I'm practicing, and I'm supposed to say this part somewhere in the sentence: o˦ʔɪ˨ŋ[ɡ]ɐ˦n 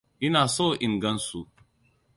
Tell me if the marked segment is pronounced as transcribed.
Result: yes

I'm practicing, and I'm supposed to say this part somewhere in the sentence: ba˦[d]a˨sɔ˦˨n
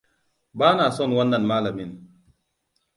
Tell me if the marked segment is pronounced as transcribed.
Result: no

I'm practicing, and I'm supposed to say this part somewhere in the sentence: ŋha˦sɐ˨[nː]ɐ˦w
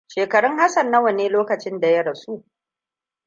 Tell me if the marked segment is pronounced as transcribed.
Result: yes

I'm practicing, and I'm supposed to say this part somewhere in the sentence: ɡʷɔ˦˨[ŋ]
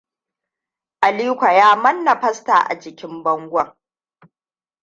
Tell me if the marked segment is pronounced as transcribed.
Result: yes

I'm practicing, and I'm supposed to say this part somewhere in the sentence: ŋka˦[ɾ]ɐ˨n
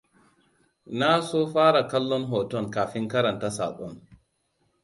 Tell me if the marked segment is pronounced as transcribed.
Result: yes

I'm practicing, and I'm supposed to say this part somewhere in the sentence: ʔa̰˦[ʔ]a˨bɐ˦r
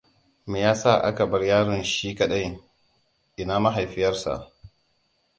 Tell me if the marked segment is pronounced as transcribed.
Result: no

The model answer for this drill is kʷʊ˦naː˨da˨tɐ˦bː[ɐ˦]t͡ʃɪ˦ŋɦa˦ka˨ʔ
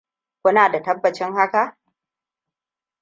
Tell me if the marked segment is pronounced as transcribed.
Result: no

